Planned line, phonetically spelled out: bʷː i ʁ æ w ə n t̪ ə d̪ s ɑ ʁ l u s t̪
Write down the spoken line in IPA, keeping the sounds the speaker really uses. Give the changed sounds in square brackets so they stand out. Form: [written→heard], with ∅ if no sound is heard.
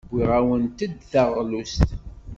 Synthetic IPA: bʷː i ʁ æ w ə n t̪ ə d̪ [s→θ] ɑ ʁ l u s t̪